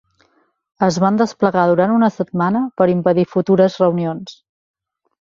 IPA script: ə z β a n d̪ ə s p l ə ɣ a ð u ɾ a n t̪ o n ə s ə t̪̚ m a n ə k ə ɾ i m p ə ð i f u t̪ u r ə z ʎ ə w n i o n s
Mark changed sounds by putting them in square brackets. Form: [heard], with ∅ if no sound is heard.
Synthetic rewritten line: ə z β a n d̪ ə s p l ə ɣ a ð u ɾ a n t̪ [u] n ə s ə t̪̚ m a n ə [p] ə ɾ i m p ə ð i f u t̪ u [ɾ] ə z [r] ə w n i o n s